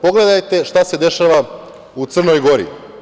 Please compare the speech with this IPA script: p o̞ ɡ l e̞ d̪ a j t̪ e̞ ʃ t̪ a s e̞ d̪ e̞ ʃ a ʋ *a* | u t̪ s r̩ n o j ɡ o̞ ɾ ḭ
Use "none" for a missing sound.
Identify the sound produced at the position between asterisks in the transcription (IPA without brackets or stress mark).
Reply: a